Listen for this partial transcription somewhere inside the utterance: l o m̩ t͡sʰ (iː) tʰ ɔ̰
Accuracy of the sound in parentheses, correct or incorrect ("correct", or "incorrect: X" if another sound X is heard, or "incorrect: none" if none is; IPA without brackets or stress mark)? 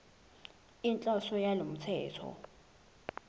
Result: incorrect: ɛː